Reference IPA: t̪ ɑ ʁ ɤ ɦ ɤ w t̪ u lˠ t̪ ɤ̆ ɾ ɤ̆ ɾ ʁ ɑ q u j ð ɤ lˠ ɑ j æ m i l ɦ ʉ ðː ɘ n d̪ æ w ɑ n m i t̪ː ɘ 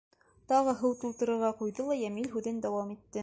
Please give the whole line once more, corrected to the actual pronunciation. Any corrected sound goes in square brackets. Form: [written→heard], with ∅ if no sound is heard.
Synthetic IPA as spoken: t̪ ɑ ʁ ɤ ɦ ɤ w t̪ u lˠ t̪ ɤ̆ ɾ ɤ̆ ɾ ʁ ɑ q u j ð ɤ lˠ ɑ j æ m i l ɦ ʉ [ðː→ð] ɘ n d̪ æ w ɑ [n→∅] m i t̪ː ɘ